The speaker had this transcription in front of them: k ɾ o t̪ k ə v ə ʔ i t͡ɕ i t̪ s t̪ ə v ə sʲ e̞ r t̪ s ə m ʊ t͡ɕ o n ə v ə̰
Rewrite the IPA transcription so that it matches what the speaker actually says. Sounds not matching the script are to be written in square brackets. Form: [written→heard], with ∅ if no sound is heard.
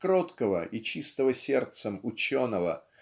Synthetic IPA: k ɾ o t̪ k ə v ə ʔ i t͡ɕ i [t̪→∅] s t̪ ə v ə sʲ e̞ r t̪ s ə m ʊ t͡ɕ o n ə v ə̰